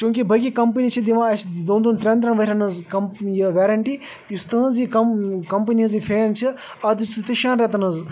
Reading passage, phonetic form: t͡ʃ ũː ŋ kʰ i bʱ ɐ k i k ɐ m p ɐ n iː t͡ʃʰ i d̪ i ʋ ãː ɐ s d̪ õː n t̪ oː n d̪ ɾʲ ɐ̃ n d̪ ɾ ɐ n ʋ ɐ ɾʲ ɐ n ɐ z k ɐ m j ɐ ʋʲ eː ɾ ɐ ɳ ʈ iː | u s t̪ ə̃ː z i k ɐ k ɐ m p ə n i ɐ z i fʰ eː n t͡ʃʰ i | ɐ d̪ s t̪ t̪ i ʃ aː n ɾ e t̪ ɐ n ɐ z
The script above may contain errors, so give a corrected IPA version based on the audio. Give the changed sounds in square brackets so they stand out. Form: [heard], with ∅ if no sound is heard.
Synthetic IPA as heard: t͡ʃ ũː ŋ [k] i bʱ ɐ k i k ɐ m p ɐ n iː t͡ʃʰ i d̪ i ʋ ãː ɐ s d̪ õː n [d̪] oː n [t̪] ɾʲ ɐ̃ n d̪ ɾ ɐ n ʋ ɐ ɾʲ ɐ n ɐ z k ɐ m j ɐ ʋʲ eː ɾ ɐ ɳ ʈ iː | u s t̪ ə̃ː z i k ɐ k ɐ m p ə n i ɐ z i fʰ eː n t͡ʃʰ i | ɐ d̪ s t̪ t̪ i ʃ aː n ɾ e t̪ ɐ n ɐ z